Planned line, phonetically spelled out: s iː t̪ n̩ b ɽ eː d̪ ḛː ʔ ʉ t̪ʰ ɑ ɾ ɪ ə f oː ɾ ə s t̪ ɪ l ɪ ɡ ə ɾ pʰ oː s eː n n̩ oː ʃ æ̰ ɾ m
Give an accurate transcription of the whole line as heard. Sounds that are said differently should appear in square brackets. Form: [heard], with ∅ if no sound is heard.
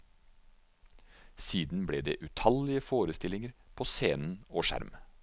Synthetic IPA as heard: s iː [d̪] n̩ b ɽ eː d̪ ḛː ʔ ʉ t̪ʰ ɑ [l] ɪ ə f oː ɾ ə s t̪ ɪ l ɪ [ŋ] ə ɾ pʰ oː s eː n n̩ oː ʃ æ̰ ɾ m